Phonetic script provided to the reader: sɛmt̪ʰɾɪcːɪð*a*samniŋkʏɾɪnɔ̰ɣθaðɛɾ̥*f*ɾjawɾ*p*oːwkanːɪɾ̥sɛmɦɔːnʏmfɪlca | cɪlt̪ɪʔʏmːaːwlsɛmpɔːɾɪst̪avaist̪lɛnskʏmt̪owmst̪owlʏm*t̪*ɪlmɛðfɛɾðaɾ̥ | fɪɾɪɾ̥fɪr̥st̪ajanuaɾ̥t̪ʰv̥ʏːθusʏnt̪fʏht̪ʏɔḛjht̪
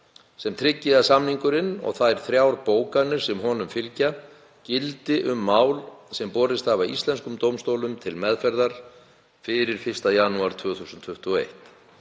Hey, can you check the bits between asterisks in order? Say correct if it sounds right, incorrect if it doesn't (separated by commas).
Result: correct, incorrect, correct, incorrect